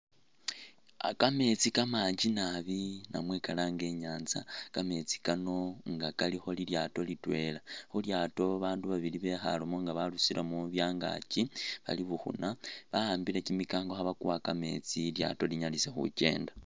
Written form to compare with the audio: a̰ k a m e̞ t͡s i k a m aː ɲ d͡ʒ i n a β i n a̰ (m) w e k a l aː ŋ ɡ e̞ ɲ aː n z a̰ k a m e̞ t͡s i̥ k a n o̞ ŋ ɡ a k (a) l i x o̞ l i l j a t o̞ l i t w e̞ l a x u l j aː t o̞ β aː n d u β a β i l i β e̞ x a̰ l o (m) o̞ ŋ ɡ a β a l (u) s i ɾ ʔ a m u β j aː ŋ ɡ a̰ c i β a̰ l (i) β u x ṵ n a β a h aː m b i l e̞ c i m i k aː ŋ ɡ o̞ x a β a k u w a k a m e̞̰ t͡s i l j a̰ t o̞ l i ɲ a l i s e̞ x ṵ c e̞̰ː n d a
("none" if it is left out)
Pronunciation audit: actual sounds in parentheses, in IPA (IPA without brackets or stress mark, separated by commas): m, a, m, u, i